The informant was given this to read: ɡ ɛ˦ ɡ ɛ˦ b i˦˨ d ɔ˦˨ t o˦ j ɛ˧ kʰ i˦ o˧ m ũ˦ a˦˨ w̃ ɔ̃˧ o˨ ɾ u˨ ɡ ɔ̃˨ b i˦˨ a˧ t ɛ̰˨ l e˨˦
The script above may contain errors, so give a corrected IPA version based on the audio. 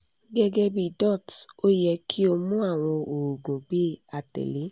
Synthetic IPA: ɡ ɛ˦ ɡ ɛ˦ b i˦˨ d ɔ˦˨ t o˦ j ɛ˧ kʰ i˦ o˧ m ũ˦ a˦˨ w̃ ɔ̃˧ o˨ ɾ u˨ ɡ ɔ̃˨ b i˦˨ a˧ t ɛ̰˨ l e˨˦